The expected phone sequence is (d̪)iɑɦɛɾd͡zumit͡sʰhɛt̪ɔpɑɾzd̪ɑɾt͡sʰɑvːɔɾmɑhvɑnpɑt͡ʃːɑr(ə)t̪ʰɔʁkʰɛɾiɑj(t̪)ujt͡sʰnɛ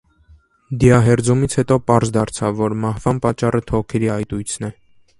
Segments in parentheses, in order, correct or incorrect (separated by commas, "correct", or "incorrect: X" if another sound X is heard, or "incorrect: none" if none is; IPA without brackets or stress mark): correct, correct, correct